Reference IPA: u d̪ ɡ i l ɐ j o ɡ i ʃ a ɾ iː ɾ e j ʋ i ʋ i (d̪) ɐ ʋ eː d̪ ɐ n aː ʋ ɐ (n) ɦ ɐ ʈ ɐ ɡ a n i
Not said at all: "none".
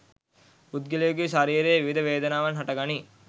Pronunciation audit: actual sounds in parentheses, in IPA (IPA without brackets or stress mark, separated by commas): d̪, n